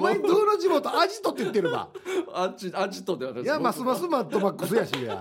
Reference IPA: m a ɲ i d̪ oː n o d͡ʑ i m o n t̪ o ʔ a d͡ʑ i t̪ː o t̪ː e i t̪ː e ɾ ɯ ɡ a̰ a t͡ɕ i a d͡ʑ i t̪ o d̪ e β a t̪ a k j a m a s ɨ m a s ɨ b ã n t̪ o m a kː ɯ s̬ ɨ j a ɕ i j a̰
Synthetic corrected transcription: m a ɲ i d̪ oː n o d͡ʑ i m o t̪ o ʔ a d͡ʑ i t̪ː o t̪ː e i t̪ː e ɾ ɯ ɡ a̰ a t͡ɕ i a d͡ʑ i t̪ o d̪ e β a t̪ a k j a m a s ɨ m a s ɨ m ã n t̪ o m a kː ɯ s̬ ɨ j a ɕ i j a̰